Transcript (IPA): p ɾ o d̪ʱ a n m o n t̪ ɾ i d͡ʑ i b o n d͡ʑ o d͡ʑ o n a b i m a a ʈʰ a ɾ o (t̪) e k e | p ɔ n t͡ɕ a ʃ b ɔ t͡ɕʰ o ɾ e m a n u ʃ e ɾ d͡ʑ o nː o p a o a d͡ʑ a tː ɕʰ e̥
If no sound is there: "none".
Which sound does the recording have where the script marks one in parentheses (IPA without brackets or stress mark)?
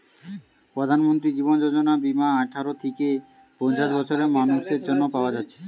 t̪ʰ